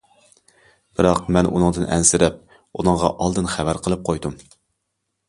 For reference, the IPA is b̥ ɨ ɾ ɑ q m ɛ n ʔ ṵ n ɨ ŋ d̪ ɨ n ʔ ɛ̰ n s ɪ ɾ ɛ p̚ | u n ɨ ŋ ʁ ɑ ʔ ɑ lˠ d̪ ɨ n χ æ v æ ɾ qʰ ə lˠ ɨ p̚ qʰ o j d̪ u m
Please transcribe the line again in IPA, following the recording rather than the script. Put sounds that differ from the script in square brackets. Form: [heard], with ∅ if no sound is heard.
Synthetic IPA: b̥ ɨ ɾ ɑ q m ɛ n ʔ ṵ n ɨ ŋ d̪ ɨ n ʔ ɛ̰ n s ɪ ɾ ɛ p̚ | u n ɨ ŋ ʁ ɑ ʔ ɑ lˠ d̪ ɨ n χ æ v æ ɾ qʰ ə lˠ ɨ p̚ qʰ o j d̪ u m